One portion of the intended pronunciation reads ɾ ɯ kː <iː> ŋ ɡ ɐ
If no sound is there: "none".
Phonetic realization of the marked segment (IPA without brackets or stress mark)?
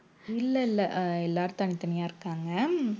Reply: aː